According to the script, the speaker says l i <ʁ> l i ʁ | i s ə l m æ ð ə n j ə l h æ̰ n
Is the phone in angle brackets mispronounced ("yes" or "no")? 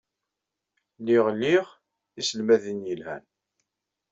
no